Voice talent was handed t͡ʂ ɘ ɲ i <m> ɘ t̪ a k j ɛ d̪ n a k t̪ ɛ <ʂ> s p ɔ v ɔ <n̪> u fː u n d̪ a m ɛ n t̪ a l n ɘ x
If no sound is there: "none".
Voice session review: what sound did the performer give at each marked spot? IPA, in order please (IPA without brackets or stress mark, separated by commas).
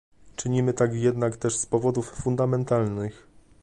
m, ʂ, d̪